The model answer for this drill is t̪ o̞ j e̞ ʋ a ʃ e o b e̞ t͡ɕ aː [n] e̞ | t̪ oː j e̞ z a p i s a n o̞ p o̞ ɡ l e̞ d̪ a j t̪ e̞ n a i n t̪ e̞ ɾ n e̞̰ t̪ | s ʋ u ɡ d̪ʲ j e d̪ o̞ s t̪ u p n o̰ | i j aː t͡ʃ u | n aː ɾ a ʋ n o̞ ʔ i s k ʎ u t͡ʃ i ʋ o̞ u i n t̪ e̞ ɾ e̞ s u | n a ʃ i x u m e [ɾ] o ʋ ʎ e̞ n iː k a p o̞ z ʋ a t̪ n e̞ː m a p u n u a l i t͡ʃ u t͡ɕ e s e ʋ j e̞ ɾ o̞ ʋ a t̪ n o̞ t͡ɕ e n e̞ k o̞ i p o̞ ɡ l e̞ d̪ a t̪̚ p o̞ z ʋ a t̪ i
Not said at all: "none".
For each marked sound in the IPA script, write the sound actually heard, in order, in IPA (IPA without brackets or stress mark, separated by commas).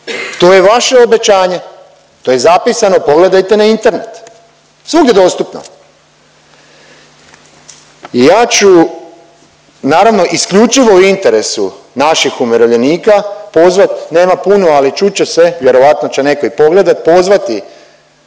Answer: ɲ, ɾ